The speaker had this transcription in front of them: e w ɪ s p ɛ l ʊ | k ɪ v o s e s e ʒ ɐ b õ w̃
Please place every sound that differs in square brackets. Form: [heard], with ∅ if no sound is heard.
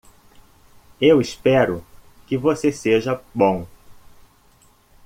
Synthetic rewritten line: e w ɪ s p ɛ [ɾ] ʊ | k ɪ v o s e s e ʒ ɐ b õ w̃

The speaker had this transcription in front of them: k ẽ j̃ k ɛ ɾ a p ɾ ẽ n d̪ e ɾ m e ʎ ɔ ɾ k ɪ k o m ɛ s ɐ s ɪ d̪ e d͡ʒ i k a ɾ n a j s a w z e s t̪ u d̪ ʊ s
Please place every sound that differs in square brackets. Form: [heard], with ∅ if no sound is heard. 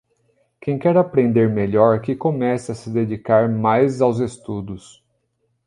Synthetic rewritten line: k ẽ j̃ k ɛ ɾ a p ɾ ẽ n d̪ e ɾ m e ʎ ɔ ɾ k ɪ k o m ɛ s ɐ s ɪ d̪ e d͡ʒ i k a ɾ [m] a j [z] a w z e s t̪ u d̪ ʊ s

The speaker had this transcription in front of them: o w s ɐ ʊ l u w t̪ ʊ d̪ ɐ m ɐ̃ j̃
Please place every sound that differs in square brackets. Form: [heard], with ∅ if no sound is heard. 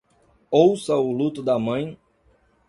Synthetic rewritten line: o w s ɐ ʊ l u [∅] t̪ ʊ d̪ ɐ m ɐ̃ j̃

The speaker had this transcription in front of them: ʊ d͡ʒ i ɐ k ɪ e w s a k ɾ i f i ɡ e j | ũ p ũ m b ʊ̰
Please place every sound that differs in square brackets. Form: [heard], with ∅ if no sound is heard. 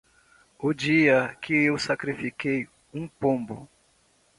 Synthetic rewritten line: ʊ d͡ʒ i ɐ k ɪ e w s a k ɾ i f i [k] e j | ũ p [õ] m b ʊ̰

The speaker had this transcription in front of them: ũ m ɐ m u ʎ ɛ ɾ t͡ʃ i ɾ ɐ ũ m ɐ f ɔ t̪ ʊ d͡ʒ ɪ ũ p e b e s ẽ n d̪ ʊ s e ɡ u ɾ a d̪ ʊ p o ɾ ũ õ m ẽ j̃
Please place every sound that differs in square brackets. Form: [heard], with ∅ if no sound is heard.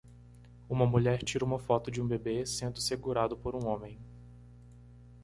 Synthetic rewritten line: ũ m ɐ m u ʎ ɛ ɾ t͡ʃ i ɾ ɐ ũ m ɐ f ɔ t̪ ʊ d͡ʒ ɪ ũ [b] e b e s ẽ n d̪ ʊ s e ɡ u ɾ a d̪ ʊ p o ɾ ũ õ m ẽ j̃

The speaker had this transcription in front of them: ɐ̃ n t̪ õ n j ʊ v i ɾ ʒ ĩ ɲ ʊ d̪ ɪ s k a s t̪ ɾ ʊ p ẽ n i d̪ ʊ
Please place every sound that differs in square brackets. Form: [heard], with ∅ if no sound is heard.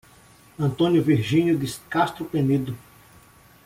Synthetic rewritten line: ɐ̃ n t̪ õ n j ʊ v i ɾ ʒ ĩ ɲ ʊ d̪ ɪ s k a s t̪ ɾ ʊ p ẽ n i d̪ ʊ

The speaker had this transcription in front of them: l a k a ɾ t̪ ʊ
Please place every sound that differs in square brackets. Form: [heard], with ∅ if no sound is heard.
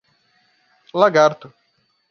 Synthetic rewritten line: l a [ɡ] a ɾ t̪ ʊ

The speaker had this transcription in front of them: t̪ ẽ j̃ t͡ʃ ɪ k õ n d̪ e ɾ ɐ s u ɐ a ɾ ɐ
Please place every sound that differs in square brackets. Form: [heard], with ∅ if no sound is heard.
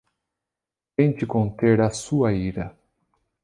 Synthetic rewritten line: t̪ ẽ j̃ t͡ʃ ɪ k õ n [t̪] e ɾ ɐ s u ɐ [i] ɾ ɐ

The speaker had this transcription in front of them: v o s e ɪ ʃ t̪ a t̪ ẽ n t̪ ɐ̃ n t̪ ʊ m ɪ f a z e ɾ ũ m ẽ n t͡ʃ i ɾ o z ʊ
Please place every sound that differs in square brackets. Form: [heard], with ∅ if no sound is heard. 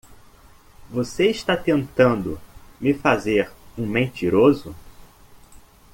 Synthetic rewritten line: v o s e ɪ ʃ t̪ a t̪ ẽ n t̪ ɐ̃ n [d̪] ʊ m ɪ f a z e ɾ ũ m ẽ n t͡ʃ i ɾ o z ʊ

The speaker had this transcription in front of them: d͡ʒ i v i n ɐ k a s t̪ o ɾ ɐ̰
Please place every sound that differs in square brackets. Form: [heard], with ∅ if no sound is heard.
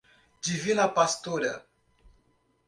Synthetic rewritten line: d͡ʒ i v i n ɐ [p] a s t̪ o ɾ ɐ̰

